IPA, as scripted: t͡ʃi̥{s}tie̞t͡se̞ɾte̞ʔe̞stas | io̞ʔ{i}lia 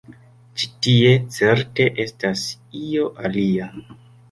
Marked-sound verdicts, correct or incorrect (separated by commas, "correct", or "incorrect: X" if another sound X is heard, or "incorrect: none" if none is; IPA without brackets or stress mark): incorrect: none, incorrect: a